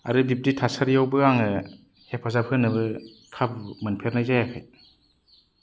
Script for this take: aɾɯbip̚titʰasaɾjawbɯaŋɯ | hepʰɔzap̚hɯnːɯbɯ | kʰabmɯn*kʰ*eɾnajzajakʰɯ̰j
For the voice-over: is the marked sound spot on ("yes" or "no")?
no